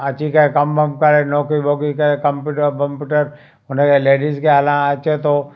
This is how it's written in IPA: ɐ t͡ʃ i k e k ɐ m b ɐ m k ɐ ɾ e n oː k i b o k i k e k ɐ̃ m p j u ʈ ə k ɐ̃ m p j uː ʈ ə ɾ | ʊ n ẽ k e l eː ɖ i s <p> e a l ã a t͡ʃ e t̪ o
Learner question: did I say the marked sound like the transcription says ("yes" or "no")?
no